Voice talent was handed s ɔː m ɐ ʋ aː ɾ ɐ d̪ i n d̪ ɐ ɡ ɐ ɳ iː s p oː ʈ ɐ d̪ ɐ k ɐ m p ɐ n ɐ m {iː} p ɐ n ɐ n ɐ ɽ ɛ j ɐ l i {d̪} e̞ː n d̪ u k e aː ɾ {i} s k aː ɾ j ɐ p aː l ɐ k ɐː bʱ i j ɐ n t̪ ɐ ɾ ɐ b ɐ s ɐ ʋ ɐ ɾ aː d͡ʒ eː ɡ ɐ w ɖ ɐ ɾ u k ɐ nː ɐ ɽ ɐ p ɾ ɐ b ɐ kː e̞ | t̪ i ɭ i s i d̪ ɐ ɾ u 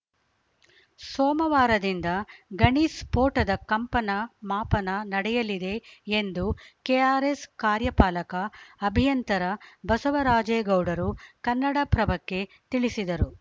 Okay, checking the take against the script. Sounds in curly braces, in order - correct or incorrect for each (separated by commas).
incorrect, correct, incorrect